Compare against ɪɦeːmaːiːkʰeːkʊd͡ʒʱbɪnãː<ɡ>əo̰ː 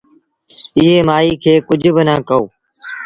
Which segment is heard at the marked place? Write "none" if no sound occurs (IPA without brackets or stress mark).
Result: k